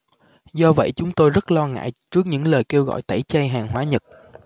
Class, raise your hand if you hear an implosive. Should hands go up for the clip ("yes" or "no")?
no